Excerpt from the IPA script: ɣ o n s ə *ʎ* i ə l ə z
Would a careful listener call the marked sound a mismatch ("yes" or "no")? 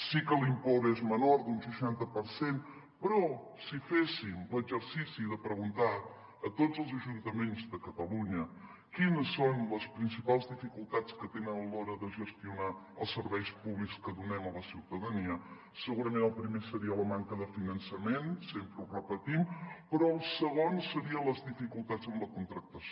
yes